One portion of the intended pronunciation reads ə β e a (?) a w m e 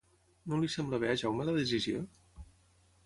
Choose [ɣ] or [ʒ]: ʒ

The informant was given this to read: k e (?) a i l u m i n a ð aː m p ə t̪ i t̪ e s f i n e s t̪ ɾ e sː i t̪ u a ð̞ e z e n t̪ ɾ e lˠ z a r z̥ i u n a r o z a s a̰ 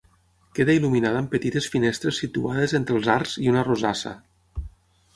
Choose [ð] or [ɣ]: ð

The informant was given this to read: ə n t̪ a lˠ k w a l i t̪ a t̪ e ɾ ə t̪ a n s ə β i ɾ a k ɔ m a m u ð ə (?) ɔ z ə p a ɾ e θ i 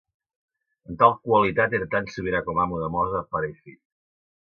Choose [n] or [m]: m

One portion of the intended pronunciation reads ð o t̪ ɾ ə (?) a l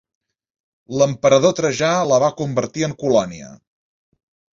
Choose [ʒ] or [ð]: ʒ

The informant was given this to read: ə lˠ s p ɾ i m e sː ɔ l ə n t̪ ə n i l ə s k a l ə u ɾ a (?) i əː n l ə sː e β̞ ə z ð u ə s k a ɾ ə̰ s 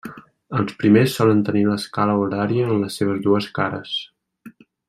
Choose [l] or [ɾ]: ɾ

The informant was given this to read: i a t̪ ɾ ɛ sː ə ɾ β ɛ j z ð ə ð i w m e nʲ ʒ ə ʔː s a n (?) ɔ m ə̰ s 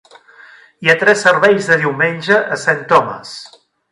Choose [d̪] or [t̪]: t̪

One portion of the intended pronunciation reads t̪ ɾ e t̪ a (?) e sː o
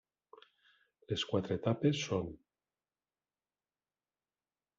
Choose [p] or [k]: p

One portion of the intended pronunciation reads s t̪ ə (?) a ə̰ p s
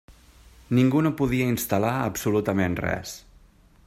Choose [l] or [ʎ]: l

